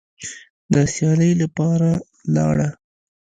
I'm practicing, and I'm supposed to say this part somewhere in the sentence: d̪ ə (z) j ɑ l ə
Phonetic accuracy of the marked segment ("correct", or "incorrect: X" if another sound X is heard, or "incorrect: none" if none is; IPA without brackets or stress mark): incorrect: s